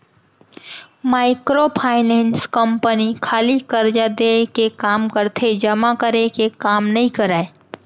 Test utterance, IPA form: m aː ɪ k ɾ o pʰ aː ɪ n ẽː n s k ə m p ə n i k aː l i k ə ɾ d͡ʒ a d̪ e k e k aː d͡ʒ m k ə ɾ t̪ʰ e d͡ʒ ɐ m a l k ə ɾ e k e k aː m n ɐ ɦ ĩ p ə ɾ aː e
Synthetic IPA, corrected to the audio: m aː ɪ k ɾ o pʰ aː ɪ n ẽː n s k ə m p ə n i kʰ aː l i k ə ɾ d͡ʒ a d̪ e k e k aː m k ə ɾ t̪ʰ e d͡ʒ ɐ m a k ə ɾ e k e k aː m n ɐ ɦ ĩ k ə ɾ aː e